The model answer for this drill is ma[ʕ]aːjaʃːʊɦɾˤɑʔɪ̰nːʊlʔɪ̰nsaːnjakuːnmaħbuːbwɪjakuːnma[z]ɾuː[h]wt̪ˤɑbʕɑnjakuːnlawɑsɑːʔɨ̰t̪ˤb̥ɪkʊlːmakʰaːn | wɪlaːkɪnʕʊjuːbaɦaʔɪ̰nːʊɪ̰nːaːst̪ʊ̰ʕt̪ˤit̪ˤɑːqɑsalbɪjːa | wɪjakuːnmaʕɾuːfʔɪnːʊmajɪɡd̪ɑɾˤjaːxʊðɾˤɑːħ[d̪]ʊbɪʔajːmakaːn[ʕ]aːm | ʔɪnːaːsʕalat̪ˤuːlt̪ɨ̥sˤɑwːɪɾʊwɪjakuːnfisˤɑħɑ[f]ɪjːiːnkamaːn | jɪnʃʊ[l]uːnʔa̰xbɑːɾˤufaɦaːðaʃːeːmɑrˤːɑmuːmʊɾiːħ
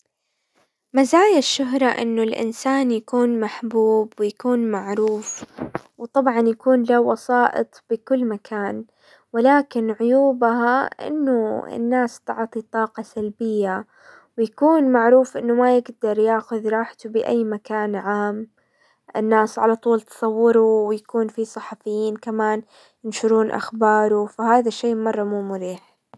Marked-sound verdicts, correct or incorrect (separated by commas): incorrect, incorrect, incorrect, incorrect, correct, correct, incorrect